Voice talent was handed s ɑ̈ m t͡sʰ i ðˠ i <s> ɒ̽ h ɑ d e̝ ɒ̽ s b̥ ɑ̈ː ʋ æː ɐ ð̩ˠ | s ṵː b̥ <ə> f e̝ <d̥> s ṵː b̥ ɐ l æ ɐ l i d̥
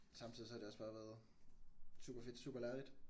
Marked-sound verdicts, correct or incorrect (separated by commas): correct, incorrect, correct